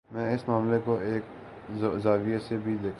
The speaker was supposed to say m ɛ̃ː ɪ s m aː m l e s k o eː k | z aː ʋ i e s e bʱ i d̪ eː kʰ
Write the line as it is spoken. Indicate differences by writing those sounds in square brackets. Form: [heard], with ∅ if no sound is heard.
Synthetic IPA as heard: m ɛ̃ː ɪ s m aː m l e [∅] k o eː k | z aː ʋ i e s e bʱ i d̪ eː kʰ